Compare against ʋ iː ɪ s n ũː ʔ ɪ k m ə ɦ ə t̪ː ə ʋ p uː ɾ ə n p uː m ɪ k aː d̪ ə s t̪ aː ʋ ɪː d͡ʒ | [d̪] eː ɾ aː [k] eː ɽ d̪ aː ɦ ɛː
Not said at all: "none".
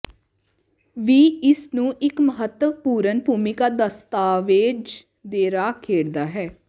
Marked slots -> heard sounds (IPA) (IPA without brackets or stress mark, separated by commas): d̪, kʰ